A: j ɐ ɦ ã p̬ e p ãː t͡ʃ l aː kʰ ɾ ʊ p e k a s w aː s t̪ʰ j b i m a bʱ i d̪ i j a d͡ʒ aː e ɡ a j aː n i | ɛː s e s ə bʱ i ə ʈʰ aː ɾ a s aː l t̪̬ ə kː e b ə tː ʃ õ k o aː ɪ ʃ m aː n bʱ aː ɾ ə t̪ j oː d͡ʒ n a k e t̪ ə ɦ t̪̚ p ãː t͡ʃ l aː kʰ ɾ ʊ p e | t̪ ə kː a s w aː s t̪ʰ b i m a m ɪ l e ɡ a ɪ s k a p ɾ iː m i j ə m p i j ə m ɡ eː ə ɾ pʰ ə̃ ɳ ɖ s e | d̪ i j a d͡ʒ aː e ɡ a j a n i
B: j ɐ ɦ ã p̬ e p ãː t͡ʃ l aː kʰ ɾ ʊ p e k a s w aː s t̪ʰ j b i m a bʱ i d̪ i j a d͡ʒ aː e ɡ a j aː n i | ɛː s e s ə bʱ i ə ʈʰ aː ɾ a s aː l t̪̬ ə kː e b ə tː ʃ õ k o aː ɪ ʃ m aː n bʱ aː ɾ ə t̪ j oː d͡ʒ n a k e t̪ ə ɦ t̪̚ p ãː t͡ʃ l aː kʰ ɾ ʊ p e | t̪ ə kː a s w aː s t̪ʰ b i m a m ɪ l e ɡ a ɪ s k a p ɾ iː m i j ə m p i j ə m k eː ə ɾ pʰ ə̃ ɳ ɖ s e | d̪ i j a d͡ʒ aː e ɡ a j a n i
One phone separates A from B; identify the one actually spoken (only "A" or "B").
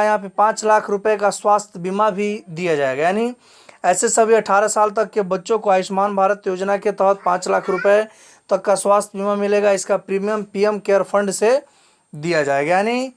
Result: B